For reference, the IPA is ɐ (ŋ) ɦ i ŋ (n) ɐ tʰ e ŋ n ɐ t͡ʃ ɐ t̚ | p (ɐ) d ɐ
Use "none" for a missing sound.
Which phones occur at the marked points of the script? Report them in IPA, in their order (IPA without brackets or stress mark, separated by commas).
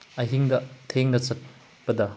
none, d, ɐ